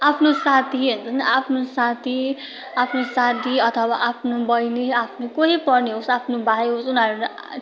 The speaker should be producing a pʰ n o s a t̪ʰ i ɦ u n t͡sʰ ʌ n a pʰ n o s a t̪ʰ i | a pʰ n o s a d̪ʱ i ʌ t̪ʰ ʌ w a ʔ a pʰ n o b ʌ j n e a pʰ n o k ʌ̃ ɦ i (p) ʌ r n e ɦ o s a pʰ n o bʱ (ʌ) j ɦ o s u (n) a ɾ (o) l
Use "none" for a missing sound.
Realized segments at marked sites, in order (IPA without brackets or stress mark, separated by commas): p, a, n, u